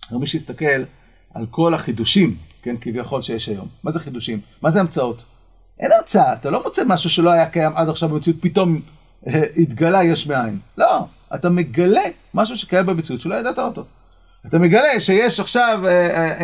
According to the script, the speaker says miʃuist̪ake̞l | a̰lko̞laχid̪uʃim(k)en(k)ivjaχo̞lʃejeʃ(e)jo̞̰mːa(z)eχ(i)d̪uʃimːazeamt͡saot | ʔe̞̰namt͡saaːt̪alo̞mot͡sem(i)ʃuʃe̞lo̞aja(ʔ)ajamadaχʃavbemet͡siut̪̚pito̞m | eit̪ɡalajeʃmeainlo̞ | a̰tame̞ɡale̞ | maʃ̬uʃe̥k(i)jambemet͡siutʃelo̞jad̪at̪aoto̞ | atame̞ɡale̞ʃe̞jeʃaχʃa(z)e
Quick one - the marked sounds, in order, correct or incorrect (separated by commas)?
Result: correct, correct, incorrect, correct, correct, incorrect, incorrect, incorrect, incorrect